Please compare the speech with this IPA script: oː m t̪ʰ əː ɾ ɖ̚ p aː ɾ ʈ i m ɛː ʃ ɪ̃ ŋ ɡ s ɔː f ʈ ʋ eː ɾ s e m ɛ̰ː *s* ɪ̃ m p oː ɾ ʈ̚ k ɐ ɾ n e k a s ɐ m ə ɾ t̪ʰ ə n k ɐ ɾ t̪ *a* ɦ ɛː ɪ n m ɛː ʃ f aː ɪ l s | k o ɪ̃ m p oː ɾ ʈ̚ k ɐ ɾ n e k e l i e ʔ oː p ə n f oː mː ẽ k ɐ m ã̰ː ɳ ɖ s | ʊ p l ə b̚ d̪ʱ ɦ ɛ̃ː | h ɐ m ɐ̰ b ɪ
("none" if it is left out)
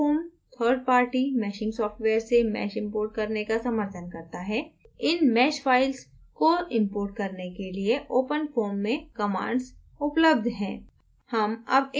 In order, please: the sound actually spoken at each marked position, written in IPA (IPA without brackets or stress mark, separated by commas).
ʃ, a